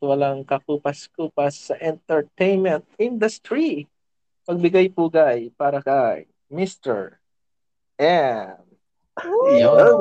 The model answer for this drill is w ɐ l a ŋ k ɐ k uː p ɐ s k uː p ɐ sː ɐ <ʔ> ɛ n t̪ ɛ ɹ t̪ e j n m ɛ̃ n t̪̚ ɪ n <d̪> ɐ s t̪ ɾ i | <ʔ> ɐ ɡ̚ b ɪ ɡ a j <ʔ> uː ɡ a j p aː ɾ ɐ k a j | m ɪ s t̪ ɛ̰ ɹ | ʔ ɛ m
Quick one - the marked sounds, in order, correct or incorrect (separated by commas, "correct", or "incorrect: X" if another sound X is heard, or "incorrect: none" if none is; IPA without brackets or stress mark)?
correct, correct, incorrect: p, incorrect: p